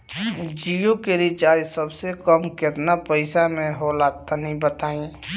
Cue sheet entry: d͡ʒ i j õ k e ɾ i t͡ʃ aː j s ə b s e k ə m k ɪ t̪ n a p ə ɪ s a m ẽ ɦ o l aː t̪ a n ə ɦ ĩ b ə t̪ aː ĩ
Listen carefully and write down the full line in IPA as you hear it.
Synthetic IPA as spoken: d͡ʒ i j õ k e ɾ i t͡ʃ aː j s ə b s e k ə m k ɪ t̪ n a p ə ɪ s a m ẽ ɦ o l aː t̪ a n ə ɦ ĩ b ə t̪ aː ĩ